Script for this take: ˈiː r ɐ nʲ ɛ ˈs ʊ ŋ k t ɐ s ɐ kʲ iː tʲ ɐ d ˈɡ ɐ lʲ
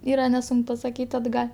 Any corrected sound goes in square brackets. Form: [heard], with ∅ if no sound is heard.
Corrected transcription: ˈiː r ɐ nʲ ɛ ˈs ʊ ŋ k [p] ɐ s ɐ kʲ iː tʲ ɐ d ˈɡ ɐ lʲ